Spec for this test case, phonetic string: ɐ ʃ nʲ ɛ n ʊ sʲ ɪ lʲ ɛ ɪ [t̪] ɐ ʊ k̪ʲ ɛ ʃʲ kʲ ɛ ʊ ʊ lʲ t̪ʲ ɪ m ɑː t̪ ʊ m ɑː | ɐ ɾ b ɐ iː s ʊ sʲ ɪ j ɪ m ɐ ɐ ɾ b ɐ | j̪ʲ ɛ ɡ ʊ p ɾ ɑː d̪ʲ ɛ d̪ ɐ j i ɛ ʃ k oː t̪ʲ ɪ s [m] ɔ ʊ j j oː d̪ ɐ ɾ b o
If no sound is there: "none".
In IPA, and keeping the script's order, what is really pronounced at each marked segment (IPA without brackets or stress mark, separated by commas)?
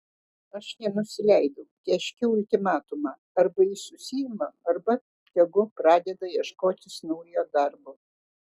d̪, n